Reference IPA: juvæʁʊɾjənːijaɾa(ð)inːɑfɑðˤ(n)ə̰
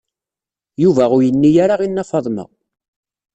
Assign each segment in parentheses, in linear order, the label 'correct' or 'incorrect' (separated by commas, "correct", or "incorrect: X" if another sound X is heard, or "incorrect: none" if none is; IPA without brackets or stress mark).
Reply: incorrect: ʁ, incorrect: m